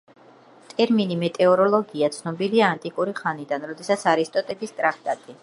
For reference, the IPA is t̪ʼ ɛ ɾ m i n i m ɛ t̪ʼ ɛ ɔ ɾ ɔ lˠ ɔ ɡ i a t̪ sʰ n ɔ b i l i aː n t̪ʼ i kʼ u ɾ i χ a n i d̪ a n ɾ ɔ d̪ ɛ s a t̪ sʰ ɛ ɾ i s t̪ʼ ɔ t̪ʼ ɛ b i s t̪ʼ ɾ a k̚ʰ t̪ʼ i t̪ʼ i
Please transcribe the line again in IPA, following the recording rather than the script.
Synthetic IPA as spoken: t̪ʼ ɛ ɾ m i n i m ɛ t̪ʼ ɛ ɔ ɾ ɔ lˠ ɔ ɡ i a t̪ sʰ n ɔ b i l i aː n t̪ʼ i kʼ u ɾ i χ a n i d̪ a n ɾ ɔ d̪ ɛ s a t̪ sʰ a ɾ i s t̪ʼ ɔ t̪ʼ ɛ b i s t̪ʼ ɾ a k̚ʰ t̪ʼ a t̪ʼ i

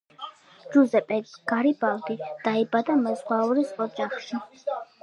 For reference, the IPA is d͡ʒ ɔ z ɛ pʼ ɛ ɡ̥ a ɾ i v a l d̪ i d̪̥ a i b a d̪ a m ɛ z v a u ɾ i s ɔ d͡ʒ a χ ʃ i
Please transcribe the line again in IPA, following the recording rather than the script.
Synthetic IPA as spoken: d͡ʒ u z ɛ pʼ ɛ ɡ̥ a ɾ i b a l d̪ i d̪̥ a i b a d̪ a m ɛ z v a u ɾ i s ɔ d͡ʒ a χ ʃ i

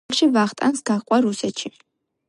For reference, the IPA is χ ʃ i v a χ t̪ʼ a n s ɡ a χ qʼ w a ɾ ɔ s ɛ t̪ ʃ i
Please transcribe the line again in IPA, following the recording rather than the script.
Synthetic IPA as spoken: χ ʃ i v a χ t̪ʼ a n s ɡ a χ qʼ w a ɾ u s ɛ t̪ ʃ i

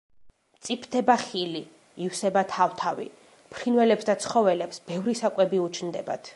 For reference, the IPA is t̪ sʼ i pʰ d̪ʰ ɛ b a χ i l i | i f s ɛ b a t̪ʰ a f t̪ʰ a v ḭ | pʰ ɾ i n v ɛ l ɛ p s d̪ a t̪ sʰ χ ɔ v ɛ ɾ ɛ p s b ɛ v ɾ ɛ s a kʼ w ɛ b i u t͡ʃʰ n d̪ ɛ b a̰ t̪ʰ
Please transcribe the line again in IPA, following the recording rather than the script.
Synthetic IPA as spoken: t̪ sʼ i pʰ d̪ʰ ɛ b a χ i l i | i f s ɛ b a t̪ʰ a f t̪ʰ a v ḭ | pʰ ɾ i n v ɛ l ɛ p s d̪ a t̪ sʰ χ ɔ v ɛ l ɛ p s b ɛ v ɾ i s a kʼ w ɛ b i u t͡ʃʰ n d̪ ɛ b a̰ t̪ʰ

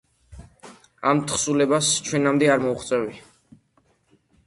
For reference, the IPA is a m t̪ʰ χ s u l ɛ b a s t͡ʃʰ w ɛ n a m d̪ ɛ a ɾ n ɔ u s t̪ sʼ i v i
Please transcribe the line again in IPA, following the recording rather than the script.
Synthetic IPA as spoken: a m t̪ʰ χ s u l ɛ b a s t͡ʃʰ w ɛ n a m d̪ ɛ a ɾ m ɔ u χ t̪ sʼ ɛ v i

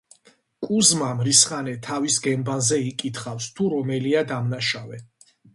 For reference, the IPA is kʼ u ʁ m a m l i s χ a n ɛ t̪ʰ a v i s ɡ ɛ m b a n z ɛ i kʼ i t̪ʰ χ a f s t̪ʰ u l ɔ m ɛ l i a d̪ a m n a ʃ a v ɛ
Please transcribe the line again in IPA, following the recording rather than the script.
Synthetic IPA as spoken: kʼ u z m a m ɾ i s χ a n ɛ t̪ʰ a v i s ɡ ɛ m b a n z ɛ i kʼ i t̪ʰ χ a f s t̪ʰ u ɾ ɔ m ɛ l i a d̪ a m n a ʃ a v ɛ

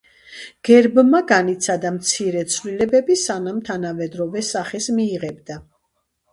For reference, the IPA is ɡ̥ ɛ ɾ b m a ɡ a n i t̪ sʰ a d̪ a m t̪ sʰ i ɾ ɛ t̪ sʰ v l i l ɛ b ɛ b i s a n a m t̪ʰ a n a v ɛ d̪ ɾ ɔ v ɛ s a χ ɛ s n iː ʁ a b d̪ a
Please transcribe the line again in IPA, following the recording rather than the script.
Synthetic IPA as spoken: ɡ̥ ɛ ɾ b m a ɡ a n i t̪ sʰ a d̪ a m t̪ sʰ i ɾ ɛ t̪ sʰ v l i l ɛ b ɛ b i s a n a m t̪ʰ a n a v ɛ d̪ ɾ ɔ v ɛ s a χ ɛ s m iː ʁ ɛ b d̪ a

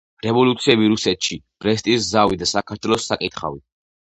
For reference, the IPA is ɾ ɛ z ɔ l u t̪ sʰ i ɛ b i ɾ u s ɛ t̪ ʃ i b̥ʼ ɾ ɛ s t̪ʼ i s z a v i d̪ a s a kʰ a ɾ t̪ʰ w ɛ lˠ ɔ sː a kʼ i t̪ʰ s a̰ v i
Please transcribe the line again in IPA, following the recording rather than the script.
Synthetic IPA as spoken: ɾ ɛ v ɔ l u t̪ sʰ i ɛ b i ɾ u s ɛ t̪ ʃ i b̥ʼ ɾ ɛ s t̪ʼ i s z a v i d̪ a s a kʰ a ɾ t̪ʰ w ɛ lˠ ɔ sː a kʼ i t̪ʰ χ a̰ v i

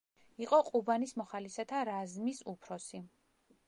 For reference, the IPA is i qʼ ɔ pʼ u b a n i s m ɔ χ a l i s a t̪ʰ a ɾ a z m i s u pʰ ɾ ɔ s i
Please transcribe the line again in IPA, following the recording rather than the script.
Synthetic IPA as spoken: i qʼ ɔ qʼ u b a n i s m ɔ χ a l i s a t̪ʰ a ɾ a z m i s u pʰ ɾ ɔ s i

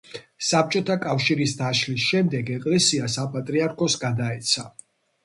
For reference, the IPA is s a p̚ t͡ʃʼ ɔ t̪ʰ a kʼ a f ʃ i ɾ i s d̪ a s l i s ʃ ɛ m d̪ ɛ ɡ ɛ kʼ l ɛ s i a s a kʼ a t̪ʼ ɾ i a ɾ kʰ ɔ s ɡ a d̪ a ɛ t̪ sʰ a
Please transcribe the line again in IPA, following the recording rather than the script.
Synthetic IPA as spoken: s a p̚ t͡ʃʼ ɔ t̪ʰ a kʼ a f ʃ i ɾ i s d̪ a ʃ l i s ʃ ɛ m d̪ ɛ ɡ ɛ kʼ l ɛ s i a s a pʼ a t̪ʼ ɾ i a ɾ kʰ ɔ s ɡ a d̪ a ɛ t̪ sʰ a

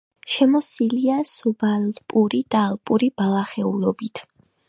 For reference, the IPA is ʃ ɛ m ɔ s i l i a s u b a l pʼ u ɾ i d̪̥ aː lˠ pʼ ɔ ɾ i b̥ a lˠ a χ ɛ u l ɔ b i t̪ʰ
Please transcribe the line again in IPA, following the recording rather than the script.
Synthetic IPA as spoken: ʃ ɛ m ɔ s i l i a s u b a l pʼ u ɾ i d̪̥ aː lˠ pʼ u ɾ i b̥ a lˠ a χ ɛ u l ɔ b i t̪ʰ

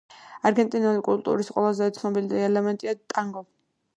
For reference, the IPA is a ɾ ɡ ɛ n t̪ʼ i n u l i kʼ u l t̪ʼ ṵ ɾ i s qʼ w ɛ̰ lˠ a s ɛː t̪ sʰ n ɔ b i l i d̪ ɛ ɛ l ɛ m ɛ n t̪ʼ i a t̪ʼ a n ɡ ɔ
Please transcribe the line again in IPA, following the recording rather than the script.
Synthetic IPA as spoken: a ɾ ɡ ɛ n t̪ʼ i n u l i kʼ u l t̪ʼ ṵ ɾ i s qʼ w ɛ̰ lˠ a z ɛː t̪ sʰ n ɔ b i l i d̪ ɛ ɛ l ɛ m ɛ n t̪ʼ i a t̪ʼ a ŋ ɡ ɔ

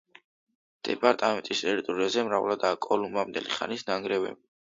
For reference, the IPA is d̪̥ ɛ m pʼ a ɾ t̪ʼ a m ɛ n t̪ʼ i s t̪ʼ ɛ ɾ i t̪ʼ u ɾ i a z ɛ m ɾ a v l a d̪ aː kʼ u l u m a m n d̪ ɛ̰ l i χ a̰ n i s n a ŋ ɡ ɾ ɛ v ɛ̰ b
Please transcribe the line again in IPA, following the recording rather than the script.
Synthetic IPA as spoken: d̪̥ ɛ pʼ a ɾ t̪ʼ a m ɛ n t̪ʼ i s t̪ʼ ɛ ɾ i t̪ʼ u ɾ i a z ɛ m ɾ a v l a d̪ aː kʼ ɔ l u m a m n d̪ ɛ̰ l i χ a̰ n i s n a ŋ ɡ ɾ ɛ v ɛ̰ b

